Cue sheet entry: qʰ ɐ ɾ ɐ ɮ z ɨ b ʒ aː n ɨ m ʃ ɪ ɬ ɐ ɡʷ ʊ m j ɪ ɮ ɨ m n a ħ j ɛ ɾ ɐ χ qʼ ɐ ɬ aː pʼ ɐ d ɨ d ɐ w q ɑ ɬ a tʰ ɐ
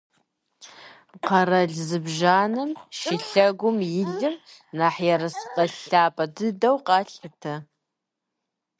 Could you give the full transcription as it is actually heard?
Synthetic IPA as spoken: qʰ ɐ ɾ ɐ ɮ z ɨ b ʒ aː n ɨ m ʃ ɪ ɬ ɐ ɡʷ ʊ m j ɪ ɮ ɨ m n a ħ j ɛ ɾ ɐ s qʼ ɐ ɬ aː pʼ ɐ d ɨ d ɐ w q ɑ ɬ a tʰ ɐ